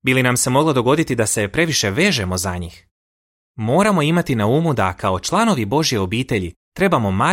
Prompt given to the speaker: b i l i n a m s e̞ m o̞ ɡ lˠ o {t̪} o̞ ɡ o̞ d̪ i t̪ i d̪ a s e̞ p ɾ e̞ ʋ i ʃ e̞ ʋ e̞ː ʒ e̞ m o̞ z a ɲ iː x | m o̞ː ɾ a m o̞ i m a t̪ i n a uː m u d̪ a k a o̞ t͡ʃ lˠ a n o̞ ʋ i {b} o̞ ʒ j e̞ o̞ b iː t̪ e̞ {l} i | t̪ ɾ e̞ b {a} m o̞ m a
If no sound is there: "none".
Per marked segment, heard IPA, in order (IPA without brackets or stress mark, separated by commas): d̪, b, ʎ, a